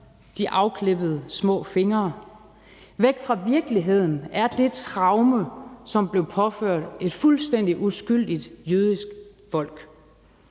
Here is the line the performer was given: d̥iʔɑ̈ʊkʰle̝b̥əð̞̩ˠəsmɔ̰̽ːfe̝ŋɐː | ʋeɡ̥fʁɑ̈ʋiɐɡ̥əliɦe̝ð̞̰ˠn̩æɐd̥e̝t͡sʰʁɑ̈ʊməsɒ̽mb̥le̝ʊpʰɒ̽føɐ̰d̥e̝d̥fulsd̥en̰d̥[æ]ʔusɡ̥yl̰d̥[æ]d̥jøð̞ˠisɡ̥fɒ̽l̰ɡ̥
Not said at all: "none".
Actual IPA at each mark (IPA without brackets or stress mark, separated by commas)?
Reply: i, i